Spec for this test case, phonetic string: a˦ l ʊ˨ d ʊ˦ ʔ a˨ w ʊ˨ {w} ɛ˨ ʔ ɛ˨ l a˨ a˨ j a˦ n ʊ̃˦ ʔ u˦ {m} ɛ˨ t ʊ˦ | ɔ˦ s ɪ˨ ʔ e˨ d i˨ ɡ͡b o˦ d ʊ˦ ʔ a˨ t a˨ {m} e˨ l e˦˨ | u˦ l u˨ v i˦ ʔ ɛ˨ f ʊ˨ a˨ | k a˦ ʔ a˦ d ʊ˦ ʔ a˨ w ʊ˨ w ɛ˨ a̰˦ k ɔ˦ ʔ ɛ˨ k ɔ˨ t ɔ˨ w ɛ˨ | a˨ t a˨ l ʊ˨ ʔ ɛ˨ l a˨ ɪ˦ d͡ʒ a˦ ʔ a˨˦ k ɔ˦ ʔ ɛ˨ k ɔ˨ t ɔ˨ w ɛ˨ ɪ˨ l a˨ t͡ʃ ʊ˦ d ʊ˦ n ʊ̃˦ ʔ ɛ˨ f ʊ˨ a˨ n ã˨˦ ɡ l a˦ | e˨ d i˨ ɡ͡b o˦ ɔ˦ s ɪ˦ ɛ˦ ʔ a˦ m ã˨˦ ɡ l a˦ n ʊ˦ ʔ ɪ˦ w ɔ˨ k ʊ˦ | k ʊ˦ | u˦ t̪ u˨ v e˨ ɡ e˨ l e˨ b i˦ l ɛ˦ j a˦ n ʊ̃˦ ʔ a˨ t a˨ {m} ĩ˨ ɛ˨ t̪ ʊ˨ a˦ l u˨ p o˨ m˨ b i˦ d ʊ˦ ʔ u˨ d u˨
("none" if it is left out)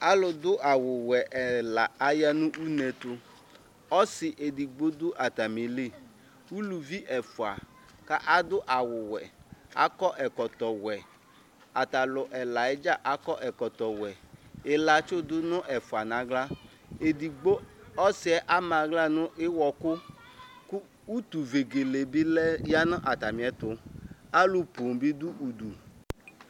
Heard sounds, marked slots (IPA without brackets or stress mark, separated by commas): w, n, m, m